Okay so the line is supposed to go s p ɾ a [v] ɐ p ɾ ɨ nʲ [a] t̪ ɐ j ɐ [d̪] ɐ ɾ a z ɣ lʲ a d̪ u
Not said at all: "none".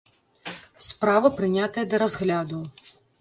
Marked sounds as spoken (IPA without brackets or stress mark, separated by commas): v, a, d̪